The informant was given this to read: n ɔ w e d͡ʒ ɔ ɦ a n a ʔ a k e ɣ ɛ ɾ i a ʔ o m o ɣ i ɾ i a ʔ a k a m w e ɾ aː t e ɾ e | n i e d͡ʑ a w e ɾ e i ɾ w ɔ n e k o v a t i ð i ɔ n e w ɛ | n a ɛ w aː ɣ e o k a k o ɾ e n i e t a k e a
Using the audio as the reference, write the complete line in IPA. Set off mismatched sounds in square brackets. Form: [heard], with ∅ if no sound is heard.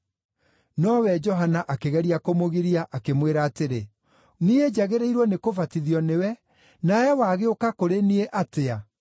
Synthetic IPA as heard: n ɔ w [ɛ] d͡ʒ ɔ ɦ a n a ʔ a k e ɣ ɛ ɾ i a [k] o m o ɣ i ɾ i a ʔ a k [e] m w e ɾ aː t e ɾ e | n i e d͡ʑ a [ɣ] e ɾ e i ɾ w ɔ n e k o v a t i ð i ɔ n e w ɛ | n a ɛ w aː ɣ e o k a k o ɾ e n i e [ʔ] a [t] e a